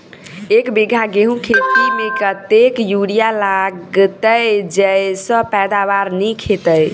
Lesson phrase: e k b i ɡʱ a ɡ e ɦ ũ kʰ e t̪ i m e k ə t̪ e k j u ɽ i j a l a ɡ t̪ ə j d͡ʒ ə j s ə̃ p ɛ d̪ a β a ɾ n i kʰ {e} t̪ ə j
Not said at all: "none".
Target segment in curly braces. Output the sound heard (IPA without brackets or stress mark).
e